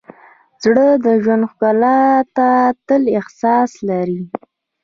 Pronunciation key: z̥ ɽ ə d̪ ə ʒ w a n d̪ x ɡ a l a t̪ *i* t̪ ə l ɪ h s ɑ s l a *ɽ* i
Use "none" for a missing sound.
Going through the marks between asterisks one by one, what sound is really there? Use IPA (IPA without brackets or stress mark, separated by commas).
a, ɾ